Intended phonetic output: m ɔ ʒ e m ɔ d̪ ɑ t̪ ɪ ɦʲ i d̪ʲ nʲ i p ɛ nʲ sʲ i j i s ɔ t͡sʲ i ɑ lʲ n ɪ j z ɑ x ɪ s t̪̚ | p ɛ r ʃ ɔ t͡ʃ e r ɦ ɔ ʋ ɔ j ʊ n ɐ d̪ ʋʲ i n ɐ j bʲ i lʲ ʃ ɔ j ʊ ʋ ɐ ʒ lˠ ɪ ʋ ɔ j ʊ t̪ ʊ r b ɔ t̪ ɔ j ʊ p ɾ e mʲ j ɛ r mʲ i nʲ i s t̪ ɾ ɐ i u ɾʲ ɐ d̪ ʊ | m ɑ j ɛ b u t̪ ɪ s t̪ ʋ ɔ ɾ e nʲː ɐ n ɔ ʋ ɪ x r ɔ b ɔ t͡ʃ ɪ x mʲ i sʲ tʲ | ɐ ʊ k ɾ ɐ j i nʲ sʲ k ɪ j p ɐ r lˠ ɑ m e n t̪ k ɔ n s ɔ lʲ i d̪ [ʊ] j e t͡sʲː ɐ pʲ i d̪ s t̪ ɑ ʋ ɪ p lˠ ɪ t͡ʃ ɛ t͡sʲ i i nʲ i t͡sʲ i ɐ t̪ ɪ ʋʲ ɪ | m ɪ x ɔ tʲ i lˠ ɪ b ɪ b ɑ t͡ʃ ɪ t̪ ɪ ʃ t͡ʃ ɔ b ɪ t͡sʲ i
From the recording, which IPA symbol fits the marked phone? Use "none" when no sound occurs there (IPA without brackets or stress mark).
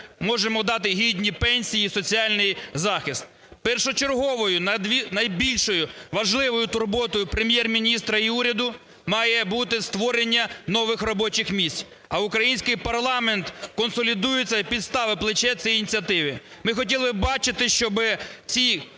u